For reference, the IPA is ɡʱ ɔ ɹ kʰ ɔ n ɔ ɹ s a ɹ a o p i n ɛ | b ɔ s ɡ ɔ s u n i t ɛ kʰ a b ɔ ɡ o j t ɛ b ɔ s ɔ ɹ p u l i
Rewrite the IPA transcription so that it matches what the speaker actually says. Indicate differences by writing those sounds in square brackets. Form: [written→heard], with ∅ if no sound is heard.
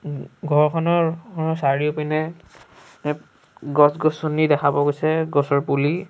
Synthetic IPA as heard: ɡʱ ɔ ɹ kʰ ɔ n ɔ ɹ s a ɹ [a→i] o p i n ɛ | [b→ɡ] ɔ s ɡ ɔ s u n i [t→d] ɛ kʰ a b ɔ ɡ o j [t→s] ɛ [b→ɡ] ɔ s ɔ ɹ p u l i